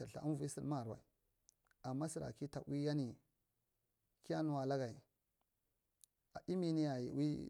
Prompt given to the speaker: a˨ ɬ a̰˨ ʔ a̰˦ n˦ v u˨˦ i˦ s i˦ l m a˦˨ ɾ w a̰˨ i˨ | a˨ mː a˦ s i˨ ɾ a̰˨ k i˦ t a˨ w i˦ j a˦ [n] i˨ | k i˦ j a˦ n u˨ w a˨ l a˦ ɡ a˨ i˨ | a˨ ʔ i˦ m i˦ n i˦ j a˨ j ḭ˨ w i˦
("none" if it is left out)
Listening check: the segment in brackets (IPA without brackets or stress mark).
n